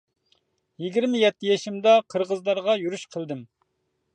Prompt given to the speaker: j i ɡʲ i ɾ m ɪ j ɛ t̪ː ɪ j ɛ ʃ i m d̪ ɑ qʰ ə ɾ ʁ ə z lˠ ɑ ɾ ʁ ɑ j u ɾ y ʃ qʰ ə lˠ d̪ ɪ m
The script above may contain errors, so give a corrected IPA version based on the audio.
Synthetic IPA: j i ɡʲ i ɾ m ɪ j ɛ t̪ː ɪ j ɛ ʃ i m d̪ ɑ qʰ ə ɾ ʁ ə z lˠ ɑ ɾ ʁ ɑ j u ɾ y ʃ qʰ ə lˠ d̪ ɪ m